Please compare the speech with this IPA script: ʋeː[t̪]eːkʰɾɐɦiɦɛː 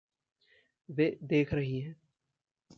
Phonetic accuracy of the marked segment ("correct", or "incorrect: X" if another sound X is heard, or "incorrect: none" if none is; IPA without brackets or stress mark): incorrect: d̪